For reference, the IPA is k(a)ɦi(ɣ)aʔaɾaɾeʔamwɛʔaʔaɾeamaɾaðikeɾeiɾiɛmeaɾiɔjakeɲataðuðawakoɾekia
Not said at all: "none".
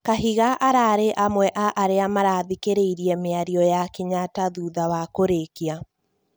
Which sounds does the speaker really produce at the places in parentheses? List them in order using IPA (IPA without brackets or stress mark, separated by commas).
a, ɣ